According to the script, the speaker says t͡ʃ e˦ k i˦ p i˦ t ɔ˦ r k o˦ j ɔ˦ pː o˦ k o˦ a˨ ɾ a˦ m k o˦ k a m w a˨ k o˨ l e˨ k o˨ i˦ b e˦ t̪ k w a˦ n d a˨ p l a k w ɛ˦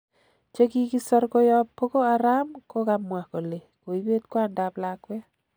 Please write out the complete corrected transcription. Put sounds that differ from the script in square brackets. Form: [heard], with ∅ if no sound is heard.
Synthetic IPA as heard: t͡ʃ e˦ k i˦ [k] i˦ [s] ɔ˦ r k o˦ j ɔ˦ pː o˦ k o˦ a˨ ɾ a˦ m k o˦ k a m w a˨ k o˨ l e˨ k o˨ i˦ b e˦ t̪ k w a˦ n d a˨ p l a k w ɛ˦